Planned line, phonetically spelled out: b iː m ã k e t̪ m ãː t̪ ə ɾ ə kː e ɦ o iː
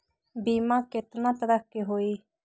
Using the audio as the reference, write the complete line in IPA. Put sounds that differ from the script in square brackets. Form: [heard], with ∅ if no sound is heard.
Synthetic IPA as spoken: b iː m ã k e t̪ [n] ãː t̪ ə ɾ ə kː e ɦ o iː